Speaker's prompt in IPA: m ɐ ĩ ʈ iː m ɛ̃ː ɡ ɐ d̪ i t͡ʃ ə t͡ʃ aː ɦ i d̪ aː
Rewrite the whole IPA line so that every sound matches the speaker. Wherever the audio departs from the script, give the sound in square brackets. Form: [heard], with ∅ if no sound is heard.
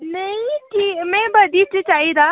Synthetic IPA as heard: [n] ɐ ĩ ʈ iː m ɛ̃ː [b] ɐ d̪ i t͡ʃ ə t͡ʃ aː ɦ i d̪ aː

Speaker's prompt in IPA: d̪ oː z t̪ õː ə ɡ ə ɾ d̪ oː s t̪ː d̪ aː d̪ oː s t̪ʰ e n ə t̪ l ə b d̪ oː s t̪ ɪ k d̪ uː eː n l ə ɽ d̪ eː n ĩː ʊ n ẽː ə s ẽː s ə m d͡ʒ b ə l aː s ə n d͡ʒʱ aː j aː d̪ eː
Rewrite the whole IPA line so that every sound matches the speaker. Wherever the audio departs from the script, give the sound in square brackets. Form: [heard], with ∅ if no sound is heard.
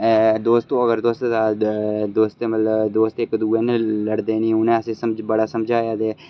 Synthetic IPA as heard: d̪ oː [s] t̪ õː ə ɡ ə ɾ d̪ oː s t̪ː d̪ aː d̪ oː s [t̪] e [m] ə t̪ l ə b d̪ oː s t̪ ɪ k d̪ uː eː n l ə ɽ d̪ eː n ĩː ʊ n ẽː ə s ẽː s ə m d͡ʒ b ə [ɽ] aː s ə [m] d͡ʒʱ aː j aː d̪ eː

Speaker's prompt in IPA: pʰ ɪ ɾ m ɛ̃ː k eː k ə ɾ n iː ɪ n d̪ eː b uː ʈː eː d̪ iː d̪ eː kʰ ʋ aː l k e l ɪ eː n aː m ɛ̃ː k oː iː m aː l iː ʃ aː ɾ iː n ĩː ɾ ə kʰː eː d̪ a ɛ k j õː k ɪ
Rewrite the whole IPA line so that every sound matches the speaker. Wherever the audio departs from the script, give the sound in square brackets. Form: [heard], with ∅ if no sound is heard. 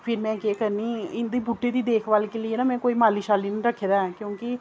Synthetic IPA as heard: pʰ ɪ ɾ m ɛ̃ː k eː k ə ɾ n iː ɪ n d̪ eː b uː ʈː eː d̪ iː d̪ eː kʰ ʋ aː l k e l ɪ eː n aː m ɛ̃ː k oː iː m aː l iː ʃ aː [l] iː n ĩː ɾ ə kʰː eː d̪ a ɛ k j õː k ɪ

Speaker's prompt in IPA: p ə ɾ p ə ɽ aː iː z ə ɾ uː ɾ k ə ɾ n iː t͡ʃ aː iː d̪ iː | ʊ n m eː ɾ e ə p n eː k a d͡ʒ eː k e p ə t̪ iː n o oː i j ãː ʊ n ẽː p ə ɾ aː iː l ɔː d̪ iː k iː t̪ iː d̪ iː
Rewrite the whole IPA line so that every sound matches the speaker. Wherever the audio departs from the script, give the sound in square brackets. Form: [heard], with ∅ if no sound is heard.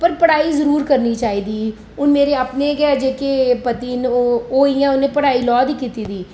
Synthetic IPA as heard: p ə ɾ p ə ɽ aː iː z ə ɾ uː ɾ k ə ɾ n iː t͡ʃ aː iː d̪ iː | ʊ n m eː ɾ e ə p n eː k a d͡ʒ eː k e p ə t̪ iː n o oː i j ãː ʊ n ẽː p ə [ɽ] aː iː l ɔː d̪ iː k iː t̪ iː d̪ iː

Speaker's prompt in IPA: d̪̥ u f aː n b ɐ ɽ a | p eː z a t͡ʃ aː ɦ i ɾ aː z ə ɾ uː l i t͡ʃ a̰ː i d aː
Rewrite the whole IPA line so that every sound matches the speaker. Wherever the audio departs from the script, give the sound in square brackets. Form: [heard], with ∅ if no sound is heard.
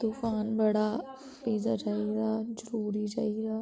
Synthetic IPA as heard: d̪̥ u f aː n b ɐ ɽ a | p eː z a t͡ʃ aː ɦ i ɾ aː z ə ɾ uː [ɾ] i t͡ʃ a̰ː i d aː

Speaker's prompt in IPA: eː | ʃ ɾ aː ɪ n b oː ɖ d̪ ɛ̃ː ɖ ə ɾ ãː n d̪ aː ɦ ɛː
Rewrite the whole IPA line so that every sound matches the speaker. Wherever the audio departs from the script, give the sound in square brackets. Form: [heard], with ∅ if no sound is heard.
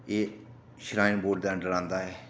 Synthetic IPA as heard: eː | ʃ ɾ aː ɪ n b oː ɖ d̪ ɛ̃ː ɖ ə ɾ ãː n d̪ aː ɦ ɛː

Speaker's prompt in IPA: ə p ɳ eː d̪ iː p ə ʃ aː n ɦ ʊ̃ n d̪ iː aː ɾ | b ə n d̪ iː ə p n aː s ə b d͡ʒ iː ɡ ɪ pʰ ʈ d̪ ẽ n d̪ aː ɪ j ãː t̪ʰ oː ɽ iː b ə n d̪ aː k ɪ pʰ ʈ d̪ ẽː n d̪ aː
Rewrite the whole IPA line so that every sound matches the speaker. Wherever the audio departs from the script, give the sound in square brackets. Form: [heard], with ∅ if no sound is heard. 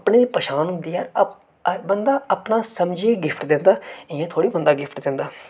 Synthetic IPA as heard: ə p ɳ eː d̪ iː p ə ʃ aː n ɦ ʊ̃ n d̪ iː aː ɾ | b ə n d̪ [aː] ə p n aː s ə [m] d͡ʒ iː ɡ ɪ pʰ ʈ d̪ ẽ n d̪ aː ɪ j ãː t̪ʰ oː ɽ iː b ə n d̪ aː [ɡ] ɪ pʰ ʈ d̪ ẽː n d̪ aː

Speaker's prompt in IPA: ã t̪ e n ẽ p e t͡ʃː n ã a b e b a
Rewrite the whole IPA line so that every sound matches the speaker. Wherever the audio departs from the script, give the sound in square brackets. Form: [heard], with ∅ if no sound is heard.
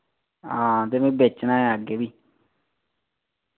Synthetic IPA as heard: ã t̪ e [m] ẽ [b] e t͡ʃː n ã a [ɡ] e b [i]

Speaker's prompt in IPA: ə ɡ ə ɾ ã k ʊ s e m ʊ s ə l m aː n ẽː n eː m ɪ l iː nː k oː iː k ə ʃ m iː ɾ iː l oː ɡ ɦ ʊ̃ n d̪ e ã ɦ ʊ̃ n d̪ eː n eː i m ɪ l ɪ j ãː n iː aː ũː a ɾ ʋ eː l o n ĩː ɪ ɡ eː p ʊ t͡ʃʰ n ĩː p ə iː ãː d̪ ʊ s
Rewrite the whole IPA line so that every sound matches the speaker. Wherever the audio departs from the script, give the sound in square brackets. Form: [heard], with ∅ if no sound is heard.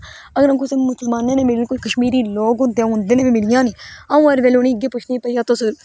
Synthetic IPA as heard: ə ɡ ə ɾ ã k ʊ s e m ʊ s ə l m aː n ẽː n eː m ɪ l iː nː k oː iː k ə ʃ m iː ɾ iː l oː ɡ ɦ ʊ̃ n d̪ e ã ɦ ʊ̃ n d̪ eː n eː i m ɪ l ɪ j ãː n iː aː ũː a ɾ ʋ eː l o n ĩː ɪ ɡ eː p ʊ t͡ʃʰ n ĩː p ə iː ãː [t̪] ʊ s

